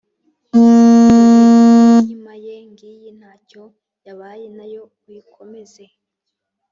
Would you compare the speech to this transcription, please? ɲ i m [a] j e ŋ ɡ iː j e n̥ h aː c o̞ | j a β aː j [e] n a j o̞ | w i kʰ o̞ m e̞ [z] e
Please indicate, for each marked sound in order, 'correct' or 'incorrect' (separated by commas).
correct, correct, correct